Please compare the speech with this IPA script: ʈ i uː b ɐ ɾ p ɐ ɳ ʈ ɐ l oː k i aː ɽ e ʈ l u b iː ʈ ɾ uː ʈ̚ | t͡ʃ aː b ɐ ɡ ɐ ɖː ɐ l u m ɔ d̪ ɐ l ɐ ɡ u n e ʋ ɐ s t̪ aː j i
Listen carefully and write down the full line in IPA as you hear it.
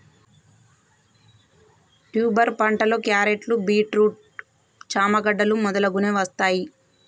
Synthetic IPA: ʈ j uː b ɐ ɾ p ɐ ɳ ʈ ɐ l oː k j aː ɾ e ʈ l u b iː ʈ ɾ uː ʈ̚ | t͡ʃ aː m ɐ ɡ ɐ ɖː ɐ l u m ɔ d̪ ɐ l ɐ ɡ u n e ʋ ɐ s t̪ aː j i